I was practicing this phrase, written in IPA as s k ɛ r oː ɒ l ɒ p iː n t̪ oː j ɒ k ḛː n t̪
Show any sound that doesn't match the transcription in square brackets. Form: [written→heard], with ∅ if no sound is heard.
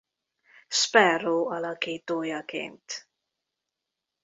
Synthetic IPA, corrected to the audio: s [k→p] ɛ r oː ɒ l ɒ [p→k] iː [n→∅] t̪ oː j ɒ k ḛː n t̪